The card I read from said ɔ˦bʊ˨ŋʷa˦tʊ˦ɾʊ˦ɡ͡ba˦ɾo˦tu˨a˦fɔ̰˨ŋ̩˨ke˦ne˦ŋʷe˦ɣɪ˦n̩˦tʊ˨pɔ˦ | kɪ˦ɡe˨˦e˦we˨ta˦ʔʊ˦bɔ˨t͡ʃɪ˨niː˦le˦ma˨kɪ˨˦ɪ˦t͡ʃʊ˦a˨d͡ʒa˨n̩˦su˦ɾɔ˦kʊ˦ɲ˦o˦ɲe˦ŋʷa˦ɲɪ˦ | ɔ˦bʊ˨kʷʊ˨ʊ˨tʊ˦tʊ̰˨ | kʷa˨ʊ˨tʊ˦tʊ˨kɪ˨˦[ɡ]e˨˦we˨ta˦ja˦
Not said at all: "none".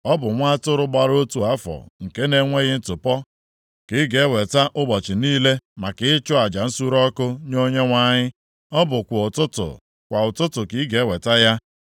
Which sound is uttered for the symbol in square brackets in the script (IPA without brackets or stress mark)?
ɡ